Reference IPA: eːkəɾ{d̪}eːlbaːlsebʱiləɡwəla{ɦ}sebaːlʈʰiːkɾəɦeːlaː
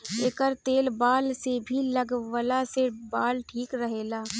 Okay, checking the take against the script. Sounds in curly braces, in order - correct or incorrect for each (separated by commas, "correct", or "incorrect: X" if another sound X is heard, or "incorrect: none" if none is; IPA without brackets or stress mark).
incorrect: t̪, incorrect: none